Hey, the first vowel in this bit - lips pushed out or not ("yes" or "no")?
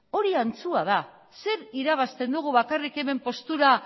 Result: yes